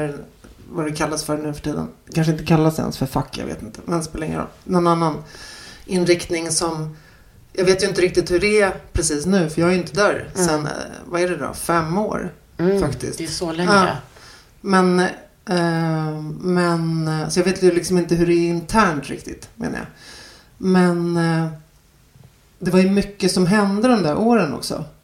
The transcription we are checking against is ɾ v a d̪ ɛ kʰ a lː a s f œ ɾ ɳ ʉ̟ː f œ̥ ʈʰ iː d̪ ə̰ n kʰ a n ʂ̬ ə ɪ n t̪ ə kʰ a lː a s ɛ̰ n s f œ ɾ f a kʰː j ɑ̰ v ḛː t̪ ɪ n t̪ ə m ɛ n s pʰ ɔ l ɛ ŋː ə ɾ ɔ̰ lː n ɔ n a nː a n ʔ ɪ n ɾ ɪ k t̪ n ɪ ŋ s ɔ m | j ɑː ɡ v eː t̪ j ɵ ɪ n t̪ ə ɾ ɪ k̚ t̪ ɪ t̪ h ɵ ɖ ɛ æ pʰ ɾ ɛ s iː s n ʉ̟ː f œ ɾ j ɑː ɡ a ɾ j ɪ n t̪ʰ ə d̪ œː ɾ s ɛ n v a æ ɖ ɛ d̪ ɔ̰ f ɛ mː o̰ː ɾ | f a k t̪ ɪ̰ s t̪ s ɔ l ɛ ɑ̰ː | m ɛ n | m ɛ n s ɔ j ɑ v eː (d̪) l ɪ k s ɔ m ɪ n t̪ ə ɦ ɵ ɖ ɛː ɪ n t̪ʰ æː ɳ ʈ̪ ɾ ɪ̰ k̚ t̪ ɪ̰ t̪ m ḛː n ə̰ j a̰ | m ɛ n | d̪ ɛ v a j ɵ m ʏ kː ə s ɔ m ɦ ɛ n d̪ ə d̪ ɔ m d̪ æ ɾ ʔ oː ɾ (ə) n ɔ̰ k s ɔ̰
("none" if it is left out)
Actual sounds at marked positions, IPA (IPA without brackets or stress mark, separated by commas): t̪, ə